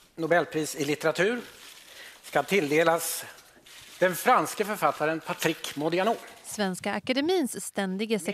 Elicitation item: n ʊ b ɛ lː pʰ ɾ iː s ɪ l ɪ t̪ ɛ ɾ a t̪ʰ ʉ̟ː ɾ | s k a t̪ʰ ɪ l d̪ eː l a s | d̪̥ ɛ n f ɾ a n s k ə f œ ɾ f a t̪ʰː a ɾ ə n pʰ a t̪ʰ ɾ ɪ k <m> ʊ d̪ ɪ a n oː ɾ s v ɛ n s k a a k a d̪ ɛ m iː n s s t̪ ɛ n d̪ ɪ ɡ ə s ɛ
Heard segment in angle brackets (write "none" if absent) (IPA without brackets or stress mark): m